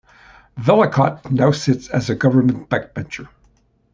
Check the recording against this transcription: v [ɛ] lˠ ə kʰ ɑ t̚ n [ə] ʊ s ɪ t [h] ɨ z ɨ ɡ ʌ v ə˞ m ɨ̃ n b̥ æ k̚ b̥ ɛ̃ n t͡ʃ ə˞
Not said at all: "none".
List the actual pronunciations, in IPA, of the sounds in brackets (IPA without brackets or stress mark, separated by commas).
ɛ, a, s